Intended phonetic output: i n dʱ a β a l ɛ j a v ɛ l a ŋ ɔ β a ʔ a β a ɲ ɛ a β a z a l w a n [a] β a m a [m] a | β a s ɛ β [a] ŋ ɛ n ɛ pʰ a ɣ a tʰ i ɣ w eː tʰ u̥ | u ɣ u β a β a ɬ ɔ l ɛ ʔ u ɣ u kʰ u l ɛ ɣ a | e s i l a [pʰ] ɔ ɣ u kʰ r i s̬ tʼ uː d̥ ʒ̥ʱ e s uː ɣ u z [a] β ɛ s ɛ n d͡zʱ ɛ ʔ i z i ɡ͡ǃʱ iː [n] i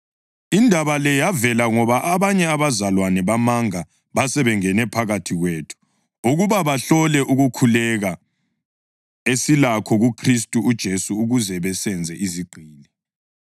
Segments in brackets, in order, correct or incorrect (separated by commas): incorrect, incorrect, incorrect, incorrect, incorrect, correct